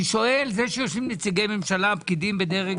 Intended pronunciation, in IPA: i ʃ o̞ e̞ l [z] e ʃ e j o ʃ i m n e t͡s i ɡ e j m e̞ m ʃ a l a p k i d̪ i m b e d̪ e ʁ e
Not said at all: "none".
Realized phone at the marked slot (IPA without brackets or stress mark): z